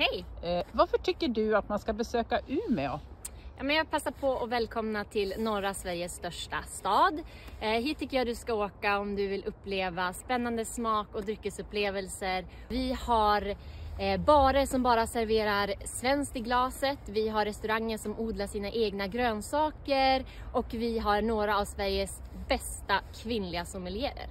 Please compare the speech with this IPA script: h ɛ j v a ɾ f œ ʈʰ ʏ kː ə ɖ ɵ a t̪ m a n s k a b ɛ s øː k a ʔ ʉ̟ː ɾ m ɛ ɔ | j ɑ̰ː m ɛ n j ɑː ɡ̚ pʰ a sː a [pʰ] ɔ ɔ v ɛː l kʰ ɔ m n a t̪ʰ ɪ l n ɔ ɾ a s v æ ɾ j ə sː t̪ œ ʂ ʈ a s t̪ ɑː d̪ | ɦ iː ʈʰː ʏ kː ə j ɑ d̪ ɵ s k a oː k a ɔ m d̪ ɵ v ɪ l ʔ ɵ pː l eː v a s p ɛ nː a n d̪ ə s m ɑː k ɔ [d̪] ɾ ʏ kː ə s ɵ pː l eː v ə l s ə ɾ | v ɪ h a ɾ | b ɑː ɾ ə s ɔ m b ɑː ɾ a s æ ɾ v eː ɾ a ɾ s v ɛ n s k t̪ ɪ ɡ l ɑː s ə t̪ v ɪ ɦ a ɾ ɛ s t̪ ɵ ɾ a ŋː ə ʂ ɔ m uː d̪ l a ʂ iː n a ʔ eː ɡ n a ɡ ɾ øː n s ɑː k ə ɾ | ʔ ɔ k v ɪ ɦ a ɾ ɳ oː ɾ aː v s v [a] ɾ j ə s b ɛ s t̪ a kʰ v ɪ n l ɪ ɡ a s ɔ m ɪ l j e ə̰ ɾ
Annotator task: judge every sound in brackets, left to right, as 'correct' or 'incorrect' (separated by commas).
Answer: correct, correct, incorrect